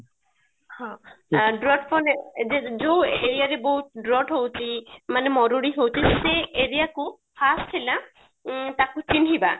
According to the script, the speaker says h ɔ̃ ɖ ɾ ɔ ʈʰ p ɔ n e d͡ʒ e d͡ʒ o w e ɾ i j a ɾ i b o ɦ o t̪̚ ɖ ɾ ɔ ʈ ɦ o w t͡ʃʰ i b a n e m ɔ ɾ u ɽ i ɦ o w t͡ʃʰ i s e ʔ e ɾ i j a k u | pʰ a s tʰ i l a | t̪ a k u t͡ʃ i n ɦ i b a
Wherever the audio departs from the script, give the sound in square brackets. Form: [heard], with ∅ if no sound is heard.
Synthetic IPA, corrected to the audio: h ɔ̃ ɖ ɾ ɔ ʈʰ p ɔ n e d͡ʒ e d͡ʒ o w e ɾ i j a ɾ [e] b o ɦ [u] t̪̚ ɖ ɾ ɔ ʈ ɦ o w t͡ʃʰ i [m] a n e m ɔ ɾ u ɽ i ɦ o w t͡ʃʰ i s e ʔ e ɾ i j a k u | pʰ a s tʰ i l a | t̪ a k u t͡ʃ i n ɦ i b a